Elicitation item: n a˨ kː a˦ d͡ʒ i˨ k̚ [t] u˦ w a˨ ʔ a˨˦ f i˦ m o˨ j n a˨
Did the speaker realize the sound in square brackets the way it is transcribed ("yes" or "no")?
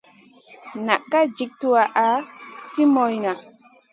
yes